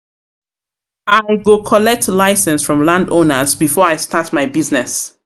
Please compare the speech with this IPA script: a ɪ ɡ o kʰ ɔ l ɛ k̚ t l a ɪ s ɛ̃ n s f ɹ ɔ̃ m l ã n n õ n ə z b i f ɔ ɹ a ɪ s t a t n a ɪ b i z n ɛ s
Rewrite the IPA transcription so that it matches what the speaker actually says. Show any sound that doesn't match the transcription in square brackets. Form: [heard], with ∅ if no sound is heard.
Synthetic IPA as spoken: a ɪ ɡ o kʰ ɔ l ɛ k̚ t l a ɪ s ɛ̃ n s f ɹ ɔ̃ m l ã n [d] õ n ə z b i f ɔ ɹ a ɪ s t a t [m] a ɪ b i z n ɛ s